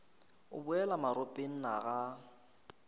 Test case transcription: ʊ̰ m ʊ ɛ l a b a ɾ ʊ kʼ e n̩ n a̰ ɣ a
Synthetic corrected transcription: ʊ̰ b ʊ ɛ l a m a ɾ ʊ pʼ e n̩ n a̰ ɣ a

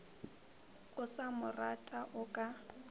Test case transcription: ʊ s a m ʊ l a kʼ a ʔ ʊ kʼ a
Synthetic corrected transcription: ʊ s a m ʊ r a tʼ a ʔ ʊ kʼ a

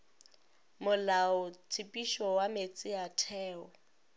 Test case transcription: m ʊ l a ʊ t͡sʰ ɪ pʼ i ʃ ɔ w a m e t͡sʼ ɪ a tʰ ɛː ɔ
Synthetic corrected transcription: m ʊ l a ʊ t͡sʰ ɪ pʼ i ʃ ɔ w a m e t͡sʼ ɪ a tʰ ɛː ɔ

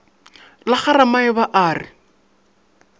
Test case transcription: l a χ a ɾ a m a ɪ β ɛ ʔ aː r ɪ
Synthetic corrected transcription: l a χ a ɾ a m a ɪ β a ʔ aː r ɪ

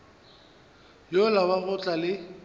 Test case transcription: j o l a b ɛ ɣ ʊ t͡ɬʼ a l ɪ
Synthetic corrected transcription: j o l a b a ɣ ʊ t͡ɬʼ a l ɪ

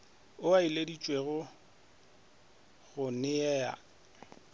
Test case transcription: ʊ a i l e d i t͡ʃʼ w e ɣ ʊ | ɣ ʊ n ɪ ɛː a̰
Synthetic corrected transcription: ʊ a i l e d i t͡ʃʼ w e ɣ ʊ | ɣ ʊ n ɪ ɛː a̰

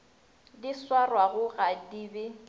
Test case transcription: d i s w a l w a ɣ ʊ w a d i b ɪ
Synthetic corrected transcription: d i s w a r w a ɣ ʊ ɣ a d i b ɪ

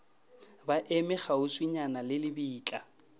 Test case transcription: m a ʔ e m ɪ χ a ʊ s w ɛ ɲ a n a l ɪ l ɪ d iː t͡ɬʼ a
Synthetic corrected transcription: b a ʔ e m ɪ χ a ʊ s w i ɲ a n a l ɪ l ɪ b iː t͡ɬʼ a

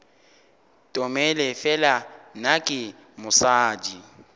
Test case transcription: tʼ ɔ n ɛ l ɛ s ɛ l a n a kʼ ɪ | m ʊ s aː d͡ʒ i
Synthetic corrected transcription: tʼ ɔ m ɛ l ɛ f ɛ l a n a kʼ ɪ | m ʊ s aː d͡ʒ i

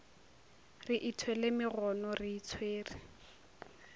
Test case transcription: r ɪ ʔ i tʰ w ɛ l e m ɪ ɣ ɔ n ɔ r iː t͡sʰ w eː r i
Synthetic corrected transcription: r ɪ ʔ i tʰ w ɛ l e m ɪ ɣ ɔ n ɔ r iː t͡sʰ w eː r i

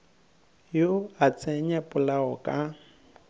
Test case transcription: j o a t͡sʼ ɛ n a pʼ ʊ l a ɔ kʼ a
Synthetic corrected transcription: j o a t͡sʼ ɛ ɲ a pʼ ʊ l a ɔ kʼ a

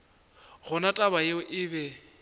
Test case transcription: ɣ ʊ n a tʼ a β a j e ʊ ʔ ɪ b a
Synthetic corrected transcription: ɣ ʊ n a tʼ a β a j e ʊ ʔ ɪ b ɛ

